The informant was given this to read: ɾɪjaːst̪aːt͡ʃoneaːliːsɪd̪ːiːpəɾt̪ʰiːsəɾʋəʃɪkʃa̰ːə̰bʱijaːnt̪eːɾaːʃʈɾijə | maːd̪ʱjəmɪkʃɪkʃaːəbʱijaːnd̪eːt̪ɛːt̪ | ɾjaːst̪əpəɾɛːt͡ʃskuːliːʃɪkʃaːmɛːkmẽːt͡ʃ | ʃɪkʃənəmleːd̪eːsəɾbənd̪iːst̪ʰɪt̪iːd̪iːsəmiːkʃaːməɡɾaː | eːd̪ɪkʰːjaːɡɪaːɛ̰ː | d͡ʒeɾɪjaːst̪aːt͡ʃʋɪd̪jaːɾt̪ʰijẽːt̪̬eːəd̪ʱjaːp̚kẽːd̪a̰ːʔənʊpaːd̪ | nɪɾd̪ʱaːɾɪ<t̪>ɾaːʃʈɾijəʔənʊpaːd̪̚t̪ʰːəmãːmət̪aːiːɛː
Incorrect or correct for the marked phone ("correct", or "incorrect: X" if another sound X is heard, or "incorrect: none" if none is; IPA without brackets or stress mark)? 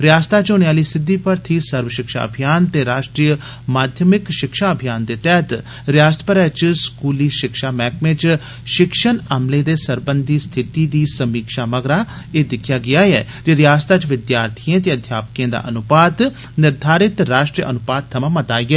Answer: correct